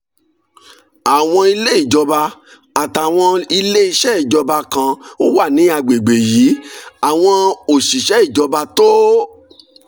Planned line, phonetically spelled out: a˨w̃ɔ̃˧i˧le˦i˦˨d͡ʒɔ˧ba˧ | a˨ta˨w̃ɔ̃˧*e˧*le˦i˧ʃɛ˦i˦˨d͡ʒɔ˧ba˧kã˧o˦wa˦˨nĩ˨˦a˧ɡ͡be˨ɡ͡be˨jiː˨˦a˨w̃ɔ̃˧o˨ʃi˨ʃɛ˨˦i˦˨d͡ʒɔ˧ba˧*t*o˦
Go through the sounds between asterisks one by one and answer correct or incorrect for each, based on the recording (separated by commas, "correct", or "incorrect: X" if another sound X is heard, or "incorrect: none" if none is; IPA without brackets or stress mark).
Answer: incorrect: i˧, correct